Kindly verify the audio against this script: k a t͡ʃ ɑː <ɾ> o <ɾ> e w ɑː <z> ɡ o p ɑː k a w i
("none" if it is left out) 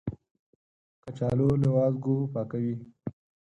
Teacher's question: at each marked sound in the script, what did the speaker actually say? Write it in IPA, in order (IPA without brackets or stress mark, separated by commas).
l, l, z